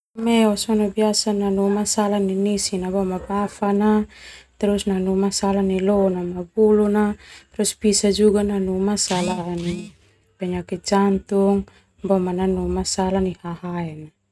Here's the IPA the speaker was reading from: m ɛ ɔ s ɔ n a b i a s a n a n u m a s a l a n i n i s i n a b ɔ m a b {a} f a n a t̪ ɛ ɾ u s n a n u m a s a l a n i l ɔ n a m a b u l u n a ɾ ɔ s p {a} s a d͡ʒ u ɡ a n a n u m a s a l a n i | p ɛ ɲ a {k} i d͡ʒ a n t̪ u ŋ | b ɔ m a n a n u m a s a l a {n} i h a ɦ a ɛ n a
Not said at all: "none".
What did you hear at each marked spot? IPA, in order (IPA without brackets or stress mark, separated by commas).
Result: a, i, k, n